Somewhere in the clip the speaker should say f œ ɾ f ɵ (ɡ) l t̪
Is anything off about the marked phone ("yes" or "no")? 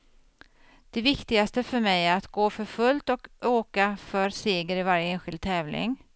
yes